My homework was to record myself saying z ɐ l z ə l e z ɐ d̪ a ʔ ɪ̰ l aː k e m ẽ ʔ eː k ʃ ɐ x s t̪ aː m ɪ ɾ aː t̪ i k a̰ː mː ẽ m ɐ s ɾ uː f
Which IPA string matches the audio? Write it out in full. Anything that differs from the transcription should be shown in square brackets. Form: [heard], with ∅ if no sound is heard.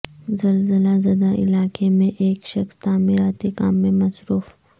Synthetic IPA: z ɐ l z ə l [a] z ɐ d̪ a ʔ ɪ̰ l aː k e m ẽ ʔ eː k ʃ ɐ x s t̪ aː m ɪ ɾ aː t̪ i k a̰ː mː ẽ m ɐ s ɾ uː f